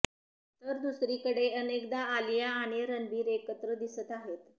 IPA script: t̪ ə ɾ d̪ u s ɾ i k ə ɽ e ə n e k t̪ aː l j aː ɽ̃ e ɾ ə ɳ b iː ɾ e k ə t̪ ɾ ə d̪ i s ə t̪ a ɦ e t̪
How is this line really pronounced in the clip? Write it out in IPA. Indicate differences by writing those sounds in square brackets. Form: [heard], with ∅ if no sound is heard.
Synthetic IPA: t̪ ə ɾ d̪ u s ɾ i k ə ɽ e ə n e k [d̪] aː l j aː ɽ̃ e ɾ ə [n] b iː ɾ e k ə t̪ ɾ ə d̪ i s ə t̪ a ɦ e t̪